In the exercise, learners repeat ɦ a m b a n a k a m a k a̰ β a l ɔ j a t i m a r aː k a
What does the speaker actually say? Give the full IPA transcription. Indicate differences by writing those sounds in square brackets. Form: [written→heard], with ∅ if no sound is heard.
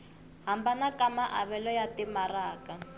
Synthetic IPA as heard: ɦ a m b a n a k a m a [k→ʔ] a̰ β [a→ɛ] l ɔ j a t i m a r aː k a